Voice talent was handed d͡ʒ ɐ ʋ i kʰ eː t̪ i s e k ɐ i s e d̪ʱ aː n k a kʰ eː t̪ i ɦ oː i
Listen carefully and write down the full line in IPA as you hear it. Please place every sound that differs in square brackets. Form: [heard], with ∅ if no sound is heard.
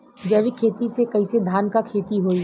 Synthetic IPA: d͡ʒ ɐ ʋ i kʰ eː t̪ i s e k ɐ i s e d̪ʱ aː n k a kʰ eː t̪ i ɦ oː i